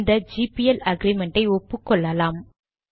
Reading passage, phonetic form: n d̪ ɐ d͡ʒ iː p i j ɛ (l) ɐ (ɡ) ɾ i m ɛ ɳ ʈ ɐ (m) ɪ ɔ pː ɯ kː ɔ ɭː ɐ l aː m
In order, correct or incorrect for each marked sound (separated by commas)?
correct, correct, incorrect